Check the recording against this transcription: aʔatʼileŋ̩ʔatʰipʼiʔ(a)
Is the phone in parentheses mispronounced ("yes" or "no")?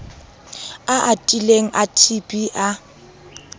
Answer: no